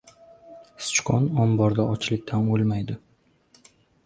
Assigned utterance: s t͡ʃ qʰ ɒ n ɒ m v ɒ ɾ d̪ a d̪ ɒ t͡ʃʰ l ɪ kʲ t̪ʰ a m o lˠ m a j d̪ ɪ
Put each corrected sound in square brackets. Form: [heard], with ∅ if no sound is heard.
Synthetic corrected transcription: s t͡ʃ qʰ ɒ n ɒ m [b] ɒ ɾ d̪ a [∅] ɒ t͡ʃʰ l ɪ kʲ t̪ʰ a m o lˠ m a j d̪ ɪ